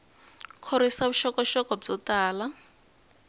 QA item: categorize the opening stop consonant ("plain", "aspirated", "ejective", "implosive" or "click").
aspirated